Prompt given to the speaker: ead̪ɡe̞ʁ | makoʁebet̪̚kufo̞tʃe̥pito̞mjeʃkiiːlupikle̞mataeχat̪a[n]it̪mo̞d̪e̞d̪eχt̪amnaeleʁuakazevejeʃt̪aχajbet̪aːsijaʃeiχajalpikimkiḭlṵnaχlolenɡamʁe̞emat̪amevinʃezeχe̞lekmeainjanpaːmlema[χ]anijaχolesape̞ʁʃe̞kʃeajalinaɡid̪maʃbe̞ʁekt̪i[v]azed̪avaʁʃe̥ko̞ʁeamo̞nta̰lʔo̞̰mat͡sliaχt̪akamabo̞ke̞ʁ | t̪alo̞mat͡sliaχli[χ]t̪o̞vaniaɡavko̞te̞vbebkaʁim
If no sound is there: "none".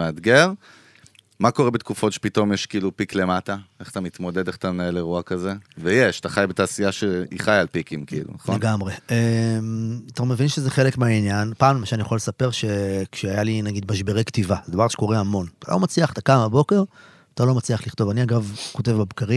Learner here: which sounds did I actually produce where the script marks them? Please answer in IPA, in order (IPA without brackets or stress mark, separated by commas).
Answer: m, ʃ, v, χ